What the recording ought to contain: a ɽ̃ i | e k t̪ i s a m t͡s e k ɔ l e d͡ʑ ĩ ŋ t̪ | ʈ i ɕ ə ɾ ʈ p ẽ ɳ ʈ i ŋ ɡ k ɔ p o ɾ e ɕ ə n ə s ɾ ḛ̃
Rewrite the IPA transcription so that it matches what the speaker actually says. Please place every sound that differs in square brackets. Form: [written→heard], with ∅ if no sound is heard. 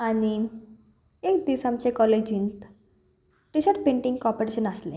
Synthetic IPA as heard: a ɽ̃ i | e k [t̪→d̪] i s a m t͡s e k ɔ l e d͡ʑ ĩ [ŋ→n] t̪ | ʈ i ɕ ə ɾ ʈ p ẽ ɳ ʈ i ŋ ɡ k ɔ p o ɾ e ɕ ə n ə s [ɾ→l] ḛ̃

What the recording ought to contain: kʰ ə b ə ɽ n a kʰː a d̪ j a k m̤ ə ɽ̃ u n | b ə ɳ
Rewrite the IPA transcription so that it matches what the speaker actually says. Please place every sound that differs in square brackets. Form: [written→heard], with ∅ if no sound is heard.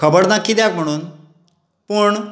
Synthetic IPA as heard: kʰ ə b ə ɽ n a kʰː [a→i] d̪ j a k m̤ ə ɽ̃ [u→uː] n | [b→p] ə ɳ

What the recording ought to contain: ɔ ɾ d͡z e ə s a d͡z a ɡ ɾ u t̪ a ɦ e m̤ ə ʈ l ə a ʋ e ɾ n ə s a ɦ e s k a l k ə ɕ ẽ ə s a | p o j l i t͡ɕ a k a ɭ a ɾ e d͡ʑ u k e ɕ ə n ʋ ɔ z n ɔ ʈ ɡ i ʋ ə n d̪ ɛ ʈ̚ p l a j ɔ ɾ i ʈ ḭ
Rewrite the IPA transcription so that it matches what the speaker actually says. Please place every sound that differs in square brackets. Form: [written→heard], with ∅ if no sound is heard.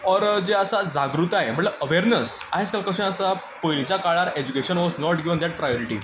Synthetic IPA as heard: ɔ ɾ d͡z e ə s a d͡z a ɡ ɾ u t̪ a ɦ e m̤ ə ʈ l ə [a→ə] ʋ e ɾ n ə s a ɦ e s k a l k ə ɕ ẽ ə s a | p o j l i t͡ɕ a k a ɭ a ɾ e d͡ʑ u k e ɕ ə n ʋ ɔ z n ɔ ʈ ɡ i ʋ ə n d̪ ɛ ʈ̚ p [l→ɾ] a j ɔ ɾ i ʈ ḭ

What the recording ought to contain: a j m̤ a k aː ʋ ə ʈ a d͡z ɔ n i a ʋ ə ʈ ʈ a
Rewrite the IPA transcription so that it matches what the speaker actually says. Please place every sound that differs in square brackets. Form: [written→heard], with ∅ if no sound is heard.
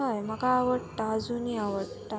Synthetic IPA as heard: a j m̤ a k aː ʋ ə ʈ a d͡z [ɔ→u] n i a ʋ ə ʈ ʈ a

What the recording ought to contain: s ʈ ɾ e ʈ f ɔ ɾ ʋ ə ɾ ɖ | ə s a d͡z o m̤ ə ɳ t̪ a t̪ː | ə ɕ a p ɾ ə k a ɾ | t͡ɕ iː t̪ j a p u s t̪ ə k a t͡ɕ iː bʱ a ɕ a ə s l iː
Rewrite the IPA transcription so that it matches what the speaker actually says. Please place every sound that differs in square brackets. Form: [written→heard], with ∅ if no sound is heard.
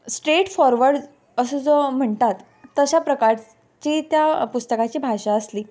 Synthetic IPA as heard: s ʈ ɾ e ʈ f ɔ ɾ ʋ ə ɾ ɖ | ə s [a→ə] d͡z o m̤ ə ɳ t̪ a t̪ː | ə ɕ a p ɾ ə k a ɾ | t͡ɕ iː t̪ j a p u s t̪ ə k a t͡ɕ iː bʱ a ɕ a ə s l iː

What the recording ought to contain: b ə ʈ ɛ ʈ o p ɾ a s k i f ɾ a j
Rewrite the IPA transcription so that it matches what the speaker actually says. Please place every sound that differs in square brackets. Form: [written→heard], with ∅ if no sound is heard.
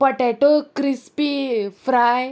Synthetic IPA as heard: [b→p] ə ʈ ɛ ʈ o [p→k] ɾ [a→i] s [k→p] i f ɾ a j

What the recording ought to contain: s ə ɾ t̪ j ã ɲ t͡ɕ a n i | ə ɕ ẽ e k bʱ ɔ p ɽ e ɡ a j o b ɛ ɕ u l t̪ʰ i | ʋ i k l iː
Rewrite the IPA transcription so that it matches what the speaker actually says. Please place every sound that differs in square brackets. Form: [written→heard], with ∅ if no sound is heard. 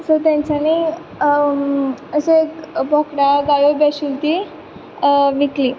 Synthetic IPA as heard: s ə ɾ t̪ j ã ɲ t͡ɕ a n i | ə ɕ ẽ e k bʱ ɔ [p→k] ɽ [e→a] ɡ a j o b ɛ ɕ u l [t̪ʰ→t̪] i | ʋ i k l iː

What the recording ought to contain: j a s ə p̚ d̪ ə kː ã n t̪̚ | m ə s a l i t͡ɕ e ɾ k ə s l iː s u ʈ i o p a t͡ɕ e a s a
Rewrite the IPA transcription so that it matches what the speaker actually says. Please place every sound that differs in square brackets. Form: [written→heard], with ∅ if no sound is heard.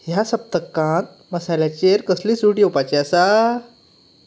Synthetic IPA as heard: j a s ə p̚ [d̪→t̪] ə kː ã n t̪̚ | m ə s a l [i→a] t͡ɕ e ɾ k ə s l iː s u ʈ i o p a t͡ɕ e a s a

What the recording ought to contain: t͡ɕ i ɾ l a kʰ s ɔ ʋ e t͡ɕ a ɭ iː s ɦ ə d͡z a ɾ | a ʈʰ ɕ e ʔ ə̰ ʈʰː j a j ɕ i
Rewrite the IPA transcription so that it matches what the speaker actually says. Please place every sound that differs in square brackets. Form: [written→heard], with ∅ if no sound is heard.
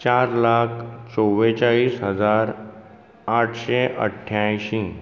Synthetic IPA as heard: t͡ɕ [i→a] ɾ l a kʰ [s→t͡s] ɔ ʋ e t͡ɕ a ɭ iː s ɦ ə d͡z a ɾ | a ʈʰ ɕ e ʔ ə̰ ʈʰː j a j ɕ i

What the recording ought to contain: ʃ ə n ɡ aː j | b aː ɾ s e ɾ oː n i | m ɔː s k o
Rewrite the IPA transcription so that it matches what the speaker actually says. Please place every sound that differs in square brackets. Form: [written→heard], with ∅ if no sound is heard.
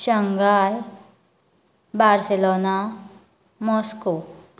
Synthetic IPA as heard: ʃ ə [n→ŋ] ɡ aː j | b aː ɾ s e [ɾ→l] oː n [i→a] | m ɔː s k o

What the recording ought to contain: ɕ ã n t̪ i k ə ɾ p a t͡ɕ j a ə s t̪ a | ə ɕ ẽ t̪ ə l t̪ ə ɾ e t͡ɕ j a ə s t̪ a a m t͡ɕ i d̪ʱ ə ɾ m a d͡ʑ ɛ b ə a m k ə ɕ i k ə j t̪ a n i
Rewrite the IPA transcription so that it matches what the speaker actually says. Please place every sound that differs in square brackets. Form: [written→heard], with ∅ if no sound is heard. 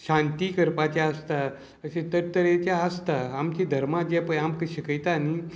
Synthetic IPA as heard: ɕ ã n t̪ i k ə ɾ p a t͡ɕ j a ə s t̪ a | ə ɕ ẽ t̪ ə [l→ɾ] t̪ ə ɾ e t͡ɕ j a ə s t̪ a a m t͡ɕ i d̪ʱ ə ɾ m a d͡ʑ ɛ [b→p] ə a m k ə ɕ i k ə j t̪ a n i

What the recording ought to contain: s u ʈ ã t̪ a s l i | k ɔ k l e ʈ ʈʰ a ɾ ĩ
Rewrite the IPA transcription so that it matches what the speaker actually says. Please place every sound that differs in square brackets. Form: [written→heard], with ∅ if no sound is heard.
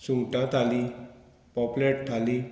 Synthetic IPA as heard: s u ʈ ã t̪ a [s→∅] l i | [k→p] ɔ [k→p] l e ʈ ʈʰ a [ɾ→l] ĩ

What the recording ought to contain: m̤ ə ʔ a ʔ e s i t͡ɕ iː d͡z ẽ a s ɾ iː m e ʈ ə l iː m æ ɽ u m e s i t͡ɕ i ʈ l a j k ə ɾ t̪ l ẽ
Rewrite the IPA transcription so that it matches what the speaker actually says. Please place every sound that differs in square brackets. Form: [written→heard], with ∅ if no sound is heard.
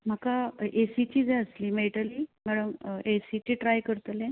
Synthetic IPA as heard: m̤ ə [ʔ→k] a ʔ e s i t͡ɕ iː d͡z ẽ [a→ə] s [ɾ→l] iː m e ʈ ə l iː m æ ɽ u m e s i t͡ɕ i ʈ [l→ɾ] a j k ə ɾ t̪ l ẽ

